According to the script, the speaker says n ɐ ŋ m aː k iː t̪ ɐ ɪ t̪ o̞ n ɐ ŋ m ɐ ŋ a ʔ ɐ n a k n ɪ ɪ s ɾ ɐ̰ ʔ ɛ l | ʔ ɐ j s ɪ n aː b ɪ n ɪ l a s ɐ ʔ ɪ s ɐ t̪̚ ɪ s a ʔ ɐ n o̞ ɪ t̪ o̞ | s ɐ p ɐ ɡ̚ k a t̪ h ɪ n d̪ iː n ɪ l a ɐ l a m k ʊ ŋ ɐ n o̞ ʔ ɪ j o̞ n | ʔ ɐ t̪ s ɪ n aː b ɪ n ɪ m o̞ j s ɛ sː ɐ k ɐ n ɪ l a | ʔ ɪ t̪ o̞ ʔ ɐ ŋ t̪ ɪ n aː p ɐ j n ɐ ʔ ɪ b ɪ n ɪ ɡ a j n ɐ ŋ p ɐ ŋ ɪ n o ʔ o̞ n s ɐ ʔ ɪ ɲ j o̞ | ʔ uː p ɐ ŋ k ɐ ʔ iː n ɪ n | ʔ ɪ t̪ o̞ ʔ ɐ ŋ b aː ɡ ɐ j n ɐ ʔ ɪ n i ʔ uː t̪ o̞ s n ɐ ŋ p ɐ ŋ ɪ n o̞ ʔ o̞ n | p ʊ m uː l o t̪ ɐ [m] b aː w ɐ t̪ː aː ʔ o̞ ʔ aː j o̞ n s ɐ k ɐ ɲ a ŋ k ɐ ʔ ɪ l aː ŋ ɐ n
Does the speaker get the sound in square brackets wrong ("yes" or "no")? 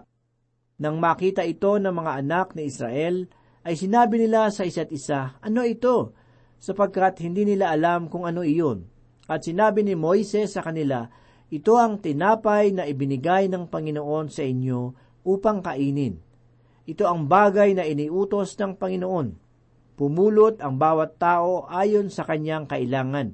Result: yes